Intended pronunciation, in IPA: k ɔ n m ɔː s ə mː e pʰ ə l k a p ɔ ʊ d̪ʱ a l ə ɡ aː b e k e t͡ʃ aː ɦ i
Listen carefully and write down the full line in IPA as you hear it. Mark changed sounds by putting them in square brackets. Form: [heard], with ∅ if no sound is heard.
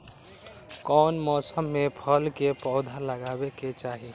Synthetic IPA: k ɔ n m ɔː s ə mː e pʰ ə l k [e] p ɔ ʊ d̪ʱ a l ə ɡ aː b e k e t͡ʃ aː ɦ i